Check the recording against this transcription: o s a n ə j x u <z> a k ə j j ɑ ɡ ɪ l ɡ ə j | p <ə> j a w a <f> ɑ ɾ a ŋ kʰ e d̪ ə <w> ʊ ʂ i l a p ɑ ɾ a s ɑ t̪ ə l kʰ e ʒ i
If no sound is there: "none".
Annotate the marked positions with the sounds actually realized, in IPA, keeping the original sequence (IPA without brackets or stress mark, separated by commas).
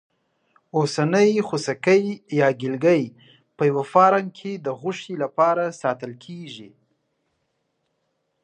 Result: s, ə, f, ɣ